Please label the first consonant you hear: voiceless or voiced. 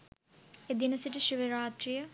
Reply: voiced